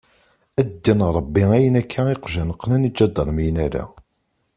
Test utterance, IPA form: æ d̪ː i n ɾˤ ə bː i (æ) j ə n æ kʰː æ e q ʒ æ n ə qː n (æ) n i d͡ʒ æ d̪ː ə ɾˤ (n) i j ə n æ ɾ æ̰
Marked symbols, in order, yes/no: yes, yes, no

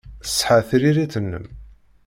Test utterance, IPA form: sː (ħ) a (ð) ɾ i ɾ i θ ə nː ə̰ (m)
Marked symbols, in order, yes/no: yes, no, yes

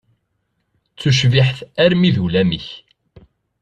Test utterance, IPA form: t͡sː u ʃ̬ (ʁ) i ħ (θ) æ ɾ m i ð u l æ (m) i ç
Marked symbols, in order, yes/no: no, yes, yes

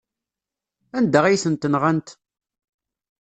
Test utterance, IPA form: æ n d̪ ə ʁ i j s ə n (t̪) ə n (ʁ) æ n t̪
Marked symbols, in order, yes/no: yes, yes

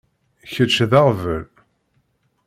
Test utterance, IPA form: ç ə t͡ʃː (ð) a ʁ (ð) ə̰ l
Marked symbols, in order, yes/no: yes, no

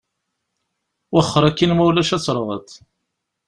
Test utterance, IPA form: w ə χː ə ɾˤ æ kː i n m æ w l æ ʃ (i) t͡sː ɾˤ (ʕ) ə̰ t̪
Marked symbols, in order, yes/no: no, no

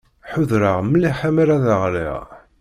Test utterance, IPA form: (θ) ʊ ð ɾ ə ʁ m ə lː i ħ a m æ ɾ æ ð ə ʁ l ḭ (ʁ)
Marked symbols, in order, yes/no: no, yes

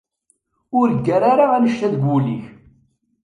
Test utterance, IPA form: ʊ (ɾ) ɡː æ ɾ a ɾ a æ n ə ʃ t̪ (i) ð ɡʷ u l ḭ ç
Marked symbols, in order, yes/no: yes, no

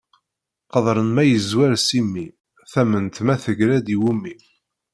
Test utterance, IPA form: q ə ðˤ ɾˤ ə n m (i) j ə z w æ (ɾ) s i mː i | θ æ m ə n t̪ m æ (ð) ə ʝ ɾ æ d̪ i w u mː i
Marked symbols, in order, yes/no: no, yes, no

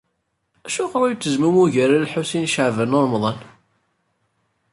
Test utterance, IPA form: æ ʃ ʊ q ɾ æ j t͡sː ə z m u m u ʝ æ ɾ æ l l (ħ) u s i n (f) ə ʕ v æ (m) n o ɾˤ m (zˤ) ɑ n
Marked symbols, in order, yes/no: yes, no, no, no

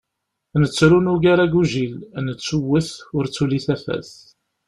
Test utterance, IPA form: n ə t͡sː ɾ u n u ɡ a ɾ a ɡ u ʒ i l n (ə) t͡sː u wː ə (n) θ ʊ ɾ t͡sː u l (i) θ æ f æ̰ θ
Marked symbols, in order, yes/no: yes, no, yes

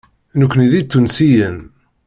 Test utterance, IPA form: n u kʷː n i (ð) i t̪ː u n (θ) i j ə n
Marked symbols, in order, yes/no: yes, no

